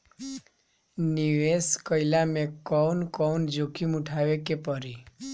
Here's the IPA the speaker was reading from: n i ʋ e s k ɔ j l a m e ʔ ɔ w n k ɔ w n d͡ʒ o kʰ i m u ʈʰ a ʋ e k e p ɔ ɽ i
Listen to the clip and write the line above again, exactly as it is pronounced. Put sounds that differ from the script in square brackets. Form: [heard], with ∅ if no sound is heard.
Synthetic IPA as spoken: n i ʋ e s k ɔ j l a m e [k] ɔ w n k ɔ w n d͡ʒ o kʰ i m u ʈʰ a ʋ e k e p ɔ [ɾ] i